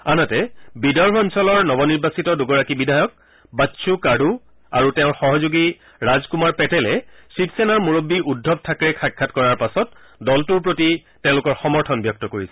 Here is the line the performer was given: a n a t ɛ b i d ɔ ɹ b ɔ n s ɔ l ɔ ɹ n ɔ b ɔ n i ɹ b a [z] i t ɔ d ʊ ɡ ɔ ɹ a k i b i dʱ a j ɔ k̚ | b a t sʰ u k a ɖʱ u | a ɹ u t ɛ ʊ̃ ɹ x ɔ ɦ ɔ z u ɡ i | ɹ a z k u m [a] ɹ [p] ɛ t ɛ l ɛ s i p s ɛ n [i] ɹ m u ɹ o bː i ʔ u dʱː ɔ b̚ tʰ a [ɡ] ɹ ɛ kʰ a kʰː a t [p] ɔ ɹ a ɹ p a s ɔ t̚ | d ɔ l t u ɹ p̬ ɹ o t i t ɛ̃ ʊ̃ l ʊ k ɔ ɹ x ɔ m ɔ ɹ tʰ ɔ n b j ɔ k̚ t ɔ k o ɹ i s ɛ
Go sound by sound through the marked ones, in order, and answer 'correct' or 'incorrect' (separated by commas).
incorrect, correct, correct, incorrect, incorrect, incorrect